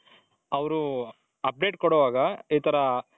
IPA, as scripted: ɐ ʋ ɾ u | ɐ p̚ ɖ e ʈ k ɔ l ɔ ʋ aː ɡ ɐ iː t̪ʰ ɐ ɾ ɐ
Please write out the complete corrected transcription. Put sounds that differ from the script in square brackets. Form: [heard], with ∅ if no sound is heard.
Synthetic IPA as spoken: ɐ ʋ ɾ u | ɐ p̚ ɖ e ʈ k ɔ [ɽ] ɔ ʋ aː ɡ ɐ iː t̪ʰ ɐ ɾ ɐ